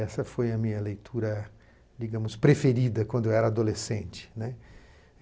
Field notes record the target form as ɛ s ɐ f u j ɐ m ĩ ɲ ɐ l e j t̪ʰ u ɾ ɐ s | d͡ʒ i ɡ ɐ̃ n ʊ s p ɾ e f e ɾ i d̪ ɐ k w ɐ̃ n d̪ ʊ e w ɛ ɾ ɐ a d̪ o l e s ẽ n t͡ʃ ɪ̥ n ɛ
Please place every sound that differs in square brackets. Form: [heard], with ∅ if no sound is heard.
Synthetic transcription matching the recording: ɛ s ɐ f [o] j ɐ m ĩ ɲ ɐ l e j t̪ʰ u ɾ ɐ [∅] | d͡ʒ i ɡ ɐ̃ [m] ʊ s p ɾ e f e ɾ i d̪ ɐ k w ɐ̃ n d̪ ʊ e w ɛ ɾ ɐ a d̪ o l e s ẽ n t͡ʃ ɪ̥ n ɛ